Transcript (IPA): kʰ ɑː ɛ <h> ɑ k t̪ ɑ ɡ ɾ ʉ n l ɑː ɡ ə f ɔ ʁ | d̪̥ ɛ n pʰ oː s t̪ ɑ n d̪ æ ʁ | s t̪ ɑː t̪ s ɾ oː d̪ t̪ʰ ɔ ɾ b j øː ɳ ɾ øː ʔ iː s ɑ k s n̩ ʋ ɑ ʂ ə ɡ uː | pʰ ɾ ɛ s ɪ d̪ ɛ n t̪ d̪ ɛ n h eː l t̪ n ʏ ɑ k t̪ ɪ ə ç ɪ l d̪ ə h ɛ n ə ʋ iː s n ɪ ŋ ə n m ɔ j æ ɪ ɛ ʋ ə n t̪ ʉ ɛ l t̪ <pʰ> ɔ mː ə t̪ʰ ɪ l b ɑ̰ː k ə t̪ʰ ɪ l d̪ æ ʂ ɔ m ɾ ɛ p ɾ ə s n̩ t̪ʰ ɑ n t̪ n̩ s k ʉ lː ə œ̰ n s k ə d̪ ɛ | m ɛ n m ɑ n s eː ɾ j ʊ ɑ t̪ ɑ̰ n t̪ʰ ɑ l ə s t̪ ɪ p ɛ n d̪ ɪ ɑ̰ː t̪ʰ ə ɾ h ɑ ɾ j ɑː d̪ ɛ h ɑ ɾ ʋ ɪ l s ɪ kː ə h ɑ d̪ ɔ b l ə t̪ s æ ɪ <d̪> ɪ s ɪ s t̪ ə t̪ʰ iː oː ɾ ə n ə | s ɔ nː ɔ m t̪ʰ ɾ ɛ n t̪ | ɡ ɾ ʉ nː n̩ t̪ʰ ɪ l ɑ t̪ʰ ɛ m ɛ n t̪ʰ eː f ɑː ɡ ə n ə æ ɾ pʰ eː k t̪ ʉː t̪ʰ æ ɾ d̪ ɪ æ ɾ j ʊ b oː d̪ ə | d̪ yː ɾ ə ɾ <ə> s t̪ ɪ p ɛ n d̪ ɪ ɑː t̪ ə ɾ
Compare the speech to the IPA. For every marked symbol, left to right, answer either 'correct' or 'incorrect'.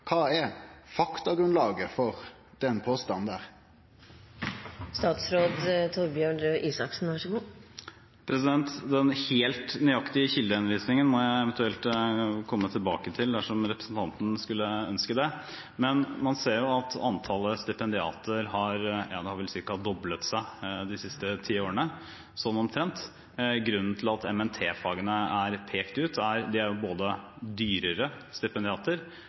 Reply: incorrect: f, incorrect: kʰ, correct, correct

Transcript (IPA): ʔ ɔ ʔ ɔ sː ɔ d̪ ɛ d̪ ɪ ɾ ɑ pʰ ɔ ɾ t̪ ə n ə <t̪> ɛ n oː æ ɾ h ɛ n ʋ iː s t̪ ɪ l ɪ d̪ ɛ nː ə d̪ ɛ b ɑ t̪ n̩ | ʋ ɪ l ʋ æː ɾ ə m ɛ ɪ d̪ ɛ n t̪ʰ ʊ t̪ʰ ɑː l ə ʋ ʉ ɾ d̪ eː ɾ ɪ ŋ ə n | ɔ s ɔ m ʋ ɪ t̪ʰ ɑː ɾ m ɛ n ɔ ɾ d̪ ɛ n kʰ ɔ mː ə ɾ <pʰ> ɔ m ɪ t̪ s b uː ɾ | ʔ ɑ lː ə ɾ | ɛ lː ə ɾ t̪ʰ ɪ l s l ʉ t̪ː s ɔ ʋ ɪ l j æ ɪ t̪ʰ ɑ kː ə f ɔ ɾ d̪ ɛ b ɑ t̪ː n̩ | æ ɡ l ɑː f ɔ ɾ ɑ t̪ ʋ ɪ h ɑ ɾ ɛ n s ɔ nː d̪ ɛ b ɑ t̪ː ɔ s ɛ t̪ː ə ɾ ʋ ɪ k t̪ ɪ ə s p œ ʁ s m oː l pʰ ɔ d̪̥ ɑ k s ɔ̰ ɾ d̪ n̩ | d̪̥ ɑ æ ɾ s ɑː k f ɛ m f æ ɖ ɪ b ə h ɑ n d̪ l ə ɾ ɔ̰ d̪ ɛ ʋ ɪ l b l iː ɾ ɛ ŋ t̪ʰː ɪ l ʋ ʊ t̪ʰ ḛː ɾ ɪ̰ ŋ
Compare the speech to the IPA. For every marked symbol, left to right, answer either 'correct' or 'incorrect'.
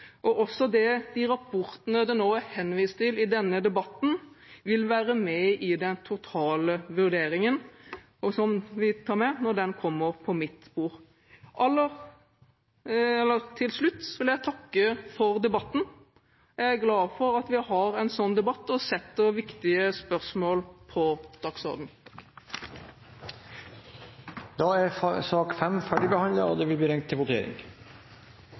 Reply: incorrect: d̪, correct

